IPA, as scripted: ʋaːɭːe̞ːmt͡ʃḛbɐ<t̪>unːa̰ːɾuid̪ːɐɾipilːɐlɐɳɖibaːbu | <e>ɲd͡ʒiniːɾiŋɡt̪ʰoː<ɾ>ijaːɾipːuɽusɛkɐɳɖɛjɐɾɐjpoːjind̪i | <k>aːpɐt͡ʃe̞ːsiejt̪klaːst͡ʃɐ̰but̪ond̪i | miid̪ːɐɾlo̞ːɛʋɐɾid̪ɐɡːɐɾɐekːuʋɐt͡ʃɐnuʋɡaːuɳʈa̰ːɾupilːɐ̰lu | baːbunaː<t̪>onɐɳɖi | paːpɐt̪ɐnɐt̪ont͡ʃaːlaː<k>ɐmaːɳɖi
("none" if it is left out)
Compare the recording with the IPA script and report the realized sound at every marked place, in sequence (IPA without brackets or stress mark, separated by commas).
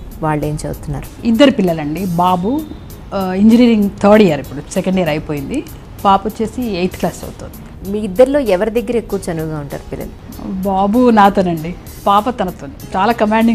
t̪, i, ɽ, p, t̪, k